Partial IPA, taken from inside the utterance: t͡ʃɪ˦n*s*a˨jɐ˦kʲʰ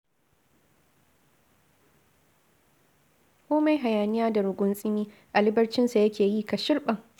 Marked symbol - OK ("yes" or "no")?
yes